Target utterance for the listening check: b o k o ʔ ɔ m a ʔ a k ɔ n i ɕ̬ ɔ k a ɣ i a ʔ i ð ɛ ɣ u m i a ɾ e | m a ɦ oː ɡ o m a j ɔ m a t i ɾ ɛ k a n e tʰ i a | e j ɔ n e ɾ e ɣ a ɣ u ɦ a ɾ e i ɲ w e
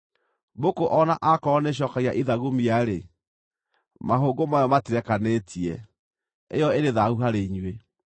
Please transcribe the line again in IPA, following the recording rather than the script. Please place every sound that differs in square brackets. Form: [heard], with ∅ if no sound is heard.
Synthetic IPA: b o k o ʔ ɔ [n] a ʔ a k ɔ n [e] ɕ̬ ɔ k a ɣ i a ʔ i ð [a] ɣ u m i a ɾ e | m a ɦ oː ɡ o m a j ɔ m a t i ɾ ɛ k a n e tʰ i [ɛ] | e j ɔ [∅] e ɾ e [ð] a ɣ u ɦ a ɾ e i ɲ w e

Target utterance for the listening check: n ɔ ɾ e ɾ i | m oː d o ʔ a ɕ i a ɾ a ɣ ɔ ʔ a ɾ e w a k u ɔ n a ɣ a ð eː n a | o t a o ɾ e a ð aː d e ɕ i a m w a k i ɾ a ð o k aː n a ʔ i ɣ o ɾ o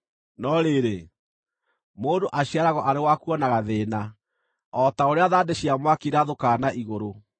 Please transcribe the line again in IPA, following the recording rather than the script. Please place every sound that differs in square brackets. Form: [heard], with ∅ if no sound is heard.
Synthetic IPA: n ɔ ɾ e ɾ [e] | m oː d o ʔ a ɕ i a ɾ a ɣ ɔ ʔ a ɾ e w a k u ɔ n a ɣ a ð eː n a | [ɔ] t a o ɾ e a ð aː d e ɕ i a m w a k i ɾ a ð o k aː n a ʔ i ɣ o ɾ o

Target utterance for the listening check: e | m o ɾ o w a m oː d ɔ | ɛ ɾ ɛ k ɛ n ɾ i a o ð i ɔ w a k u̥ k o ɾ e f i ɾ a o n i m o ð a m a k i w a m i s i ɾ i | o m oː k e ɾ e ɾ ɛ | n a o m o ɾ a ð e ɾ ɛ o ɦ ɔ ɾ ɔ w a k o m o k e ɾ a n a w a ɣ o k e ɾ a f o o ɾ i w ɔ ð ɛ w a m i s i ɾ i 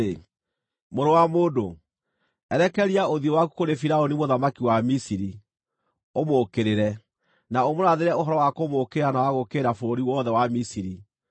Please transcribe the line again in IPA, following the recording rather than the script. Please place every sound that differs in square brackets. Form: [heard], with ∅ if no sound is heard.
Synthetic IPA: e | m o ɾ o w a m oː d [o] | ɛ ɾ ɛ k ɛ [∅] ɾ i a o ð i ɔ w a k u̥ k o ɾ e f i ɾ a o n i m o ð a m a k i w a m i s i ɾ i | o m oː k e ɾ e ɾ ɛ | n a o m o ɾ a ð e ɾ ɛ o ɦ ɔ ɾ ɔ w a k o m o k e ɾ a n a w a ɣ o k e ɾ a f o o ɾ i w ɔ ð ɛ w a m i s i ɾ i

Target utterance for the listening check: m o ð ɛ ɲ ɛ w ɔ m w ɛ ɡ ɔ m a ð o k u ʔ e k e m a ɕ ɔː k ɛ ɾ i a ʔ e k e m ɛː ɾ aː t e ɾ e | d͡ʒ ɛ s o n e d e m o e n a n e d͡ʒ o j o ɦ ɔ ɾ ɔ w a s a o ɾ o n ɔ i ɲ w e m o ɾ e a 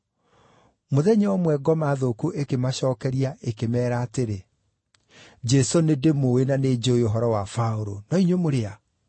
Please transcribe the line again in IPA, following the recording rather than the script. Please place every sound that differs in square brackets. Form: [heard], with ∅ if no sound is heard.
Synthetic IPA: m o ð ɛ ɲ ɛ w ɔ m w ɛ ɡ ɔ m a ð o k u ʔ e k e m a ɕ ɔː k ɛ ɾ i a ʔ e k e m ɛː ɾ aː t e ɾ e | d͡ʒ ɛ s o n e d e m o e n a n e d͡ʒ o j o ɦ ɔ ɾ ɔ w a [f] a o ɾ o n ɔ i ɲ w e m o ɾ e a

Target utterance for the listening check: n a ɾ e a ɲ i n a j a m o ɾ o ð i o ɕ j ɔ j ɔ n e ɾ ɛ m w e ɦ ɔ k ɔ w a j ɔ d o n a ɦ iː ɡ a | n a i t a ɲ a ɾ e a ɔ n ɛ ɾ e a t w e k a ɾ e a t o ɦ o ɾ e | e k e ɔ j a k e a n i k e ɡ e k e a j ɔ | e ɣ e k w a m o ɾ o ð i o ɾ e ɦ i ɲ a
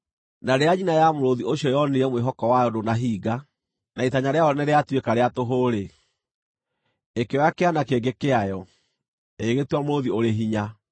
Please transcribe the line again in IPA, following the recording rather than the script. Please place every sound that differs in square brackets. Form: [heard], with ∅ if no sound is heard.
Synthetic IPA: n a ɾ e a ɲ i n a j a m o ɾ o ð i o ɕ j ɔ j ɔ n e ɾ ɛ m w e ɦ ɔ k ɔ w a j ɔ d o n a ɦ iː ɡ a | n a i t a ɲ a ɾ e a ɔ n ɛ ɾ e a t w e k a ɾ e a t o ɦ o ɾ e | e k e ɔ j a k e a n [a] k e ɡ e k e a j ɔ | e ɣ e [t] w a m o ɾ o ð i o ɾ e ɦ i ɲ a

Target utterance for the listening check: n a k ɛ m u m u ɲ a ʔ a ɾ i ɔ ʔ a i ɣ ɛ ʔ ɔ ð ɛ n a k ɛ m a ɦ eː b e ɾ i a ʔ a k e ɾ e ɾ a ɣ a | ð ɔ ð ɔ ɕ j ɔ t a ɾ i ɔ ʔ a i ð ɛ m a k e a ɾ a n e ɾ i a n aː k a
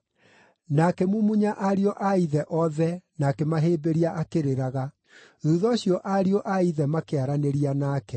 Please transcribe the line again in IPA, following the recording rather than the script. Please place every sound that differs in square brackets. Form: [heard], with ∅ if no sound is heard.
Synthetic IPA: n a k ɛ m u m u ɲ a ʔ a ɾ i ɔ ʔ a i [ð] ɛ ʔ ɔ ð ɛ n a k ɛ m a ɦ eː b e ɾ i a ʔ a k e ɾ e ɾ a ɣ a | ð [u] ð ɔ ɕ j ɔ [ʔ] a ɾ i ɔ ʔ a i ð ɛ m a k e a ɾ a n e ɾ i a n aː k [ɛ]

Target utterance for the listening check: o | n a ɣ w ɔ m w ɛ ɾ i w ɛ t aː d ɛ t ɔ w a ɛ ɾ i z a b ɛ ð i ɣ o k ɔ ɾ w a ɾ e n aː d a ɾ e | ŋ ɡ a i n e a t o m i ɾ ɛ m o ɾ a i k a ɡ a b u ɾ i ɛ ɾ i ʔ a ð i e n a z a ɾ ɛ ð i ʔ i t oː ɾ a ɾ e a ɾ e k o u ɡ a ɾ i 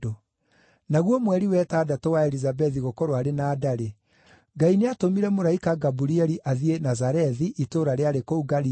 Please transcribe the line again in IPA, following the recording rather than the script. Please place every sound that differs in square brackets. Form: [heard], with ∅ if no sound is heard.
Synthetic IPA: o | n a ɣ w ɔ m w ɛ ɾ i w ɛ t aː d [a] t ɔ w a ɛ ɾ i z a b ɛ ð i ɣ o k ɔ ɾ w a ɾ e n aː d a ɾ e | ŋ ɡ a i n e a t o m i ɾ ɛ m o ɾ a i k a ɡ a b u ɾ i ɛ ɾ i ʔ a ð i e n a z a ɾ ɛ ð i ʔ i t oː ɾ a ɾ e a ɾ e k o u ɡ a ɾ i

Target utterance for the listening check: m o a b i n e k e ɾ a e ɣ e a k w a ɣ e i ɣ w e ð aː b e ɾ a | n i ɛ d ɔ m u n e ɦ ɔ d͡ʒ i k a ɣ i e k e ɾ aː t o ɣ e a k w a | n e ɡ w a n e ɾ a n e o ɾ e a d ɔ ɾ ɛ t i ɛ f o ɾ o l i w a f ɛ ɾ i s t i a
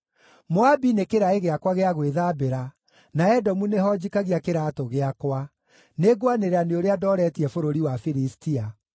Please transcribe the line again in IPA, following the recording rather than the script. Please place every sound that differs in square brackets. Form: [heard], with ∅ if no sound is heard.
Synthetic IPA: m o a b i n e k e ɾ a e ɣ e a k w a ɣ e [a] ɣ w e ð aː b e ɾ a | n [a] ɛ d ɔ m u n e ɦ ɔ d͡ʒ i k a ɣ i [a] k e ɾ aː t o ɣ e a k w a | n e ɡ w a n e ɾ a n e o ɾ e a d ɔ ɾ ɛ t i ɛ f o ɾ o [ɾ] i w a f [i] ɾ i s t i a

